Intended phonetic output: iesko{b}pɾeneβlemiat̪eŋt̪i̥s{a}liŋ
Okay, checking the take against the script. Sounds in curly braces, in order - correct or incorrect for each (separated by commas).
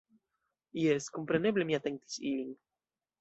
incorrect, incorrect